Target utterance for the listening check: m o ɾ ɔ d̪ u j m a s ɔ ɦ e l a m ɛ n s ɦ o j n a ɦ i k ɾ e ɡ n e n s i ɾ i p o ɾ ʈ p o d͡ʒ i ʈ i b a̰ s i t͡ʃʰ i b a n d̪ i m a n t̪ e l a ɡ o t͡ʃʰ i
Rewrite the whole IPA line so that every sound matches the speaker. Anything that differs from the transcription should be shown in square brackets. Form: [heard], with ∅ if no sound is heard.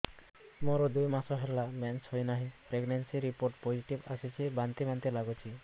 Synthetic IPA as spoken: m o ɾ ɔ d̪ u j m a s ɔ ɦ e l a m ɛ n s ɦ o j n a ɦ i [p] ɾ e ɡ n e n s i ɾ i p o ɾ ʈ p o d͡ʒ i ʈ i b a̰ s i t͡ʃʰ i b a n [t̪] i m a n t̪ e l a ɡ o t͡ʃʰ i